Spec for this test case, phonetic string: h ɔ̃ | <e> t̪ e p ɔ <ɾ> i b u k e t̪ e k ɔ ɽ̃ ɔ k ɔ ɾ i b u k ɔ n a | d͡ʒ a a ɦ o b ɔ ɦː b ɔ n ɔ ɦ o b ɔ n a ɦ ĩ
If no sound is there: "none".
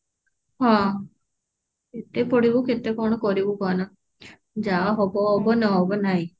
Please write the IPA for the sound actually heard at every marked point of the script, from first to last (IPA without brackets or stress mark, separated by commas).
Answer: e, ɽ